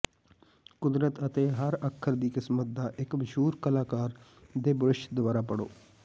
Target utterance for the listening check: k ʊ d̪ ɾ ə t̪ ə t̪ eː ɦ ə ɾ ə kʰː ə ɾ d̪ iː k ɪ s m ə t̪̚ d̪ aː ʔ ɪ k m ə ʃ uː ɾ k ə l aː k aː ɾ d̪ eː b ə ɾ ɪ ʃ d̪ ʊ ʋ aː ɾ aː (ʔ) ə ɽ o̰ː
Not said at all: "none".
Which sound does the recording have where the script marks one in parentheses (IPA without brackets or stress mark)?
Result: p